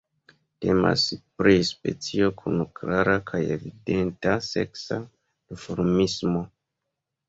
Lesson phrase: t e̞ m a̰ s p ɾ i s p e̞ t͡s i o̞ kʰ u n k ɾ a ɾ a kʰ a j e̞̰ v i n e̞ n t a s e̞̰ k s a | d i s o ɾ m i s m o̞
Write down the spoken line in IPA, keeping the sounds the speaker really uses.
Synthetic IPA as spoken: t e̞ m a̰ s p ɾ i s p e̞ t͡s i o̞ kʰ u n k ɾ a ɾ a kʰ a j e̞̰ v i d e̞ n t a s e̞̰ k s a | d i f o ɾ m i s m o̞